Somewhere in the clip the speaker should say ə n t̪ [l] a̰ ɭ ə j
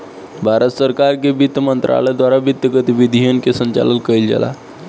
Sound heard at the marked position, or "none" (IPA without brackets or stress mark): ɾ